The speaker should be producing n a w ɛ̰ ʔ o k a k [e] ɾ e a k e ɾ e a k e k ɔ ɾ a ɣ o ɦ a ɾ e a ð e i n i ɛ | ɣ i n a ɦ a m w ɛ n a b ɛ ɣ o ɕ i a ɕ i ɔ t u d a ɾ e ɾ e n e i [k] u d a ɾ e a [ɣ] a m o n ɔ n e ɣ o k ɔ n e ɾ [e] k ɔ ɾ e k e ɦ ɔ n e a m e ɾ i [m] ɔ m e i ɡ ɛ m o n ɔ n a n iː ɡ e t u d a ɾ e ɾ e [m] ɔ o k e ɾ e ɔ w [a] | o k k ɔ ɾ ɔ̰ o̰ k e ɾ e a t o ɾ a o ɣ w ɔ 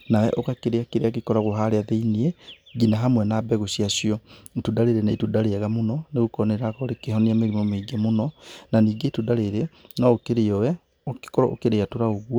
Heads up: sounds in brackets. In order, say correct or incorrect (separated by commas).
correct, incorrect, correct, incorrect, correct, incorrect, incorrect